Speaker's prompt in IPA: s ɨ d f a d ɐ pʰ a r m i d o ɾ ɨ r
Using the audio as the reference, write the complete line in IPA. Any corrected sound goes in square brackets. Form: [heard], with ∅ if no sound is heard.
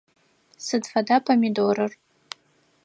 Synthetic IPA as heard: s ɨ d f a d [a] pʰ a [∅] m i d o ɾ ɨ r